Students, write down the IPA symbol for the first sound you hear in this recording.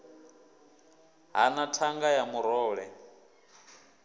ɦ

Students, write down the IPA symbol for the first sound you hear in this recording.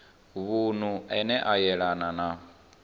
β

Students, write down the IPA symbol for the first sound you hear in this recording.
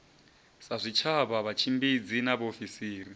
s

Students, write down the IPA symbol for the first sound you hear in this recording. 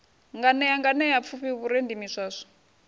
ŋ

